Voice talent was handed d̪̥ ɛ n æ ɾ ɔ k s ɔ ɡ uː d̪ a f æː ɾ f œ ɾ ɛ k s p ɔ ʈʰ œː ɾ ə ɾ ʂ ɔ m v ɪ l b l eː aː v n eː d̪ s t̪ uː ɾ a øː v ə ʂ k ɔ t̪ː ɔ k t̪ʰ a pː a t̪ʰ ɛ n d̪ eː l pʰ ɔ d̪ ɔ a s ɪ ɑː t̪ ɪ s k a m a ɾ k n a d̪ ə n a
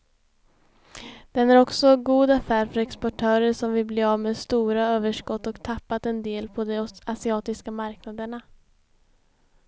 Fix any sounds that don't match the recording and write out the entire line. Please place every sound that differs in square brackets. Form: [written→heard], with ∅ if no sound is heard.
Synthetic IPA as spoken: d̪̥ ɛ n æ ɾ ɔ k s ɔ ɡ uː d̪ a f æː ɾ f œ ɾ ɛ k s p ɔ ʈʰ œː ɾ ə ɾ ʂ ɔ m v ɪ l b l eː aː v [n→m] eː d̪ s t̪ uː ɾ a øː v ə ʂ k ɔ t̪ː ɔ k t̪ʰ a pː a [t̪ʰ→t̪] ɛ n d̪ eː l pʰ ɔ d̪ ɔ a s ɪ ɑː t̪ ɪ s k a m a ɾ k n a d̪ ə [n→ɳ] a